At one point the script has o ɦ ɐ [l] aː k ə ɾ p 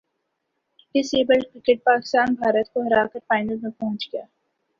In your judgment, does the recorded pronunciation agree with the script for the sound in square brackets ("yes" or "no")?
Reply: no